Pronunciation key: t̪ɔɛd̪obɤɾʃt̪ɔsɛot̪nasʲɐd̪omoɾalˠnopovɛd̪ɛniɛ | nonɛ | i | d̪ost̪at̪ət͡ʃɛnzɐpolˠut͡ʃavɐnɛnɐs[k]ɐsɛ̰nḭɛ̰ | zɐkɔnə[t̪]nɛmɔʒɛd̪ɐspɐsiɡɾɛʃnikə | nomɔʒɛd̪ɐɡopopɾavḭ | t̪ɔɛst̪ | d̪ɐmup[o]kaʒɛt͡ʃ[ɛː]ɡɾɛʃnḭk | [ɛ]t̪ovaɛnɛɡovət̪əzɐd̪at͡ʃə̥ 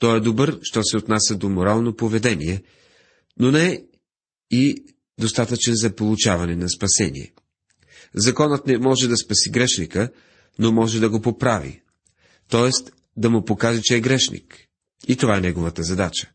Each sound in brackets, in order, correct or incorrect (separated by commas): incorrect, correct, correct, correct, incorrect